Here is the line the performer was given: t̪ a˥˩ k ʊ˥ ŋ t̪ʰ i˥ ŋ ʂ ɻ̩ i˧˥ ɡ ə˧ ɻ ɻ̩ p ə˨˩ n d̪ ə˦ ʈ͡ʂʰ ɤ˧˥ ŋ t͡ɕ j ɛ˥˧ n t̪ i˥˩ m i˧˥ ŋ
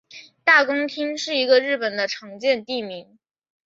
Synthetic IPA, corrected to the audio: t̪ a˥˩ k ʊ˥ ŋ t̪ʰ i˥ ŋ ʂ ɻ̩ i˧˥ ɡ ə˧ ɻ ɻ̩ p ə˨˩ n d̪ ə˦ ʈ͡ʂʰ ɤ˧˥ ŋ t͡ɕ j ɛ˥˧ n t̪ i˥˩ m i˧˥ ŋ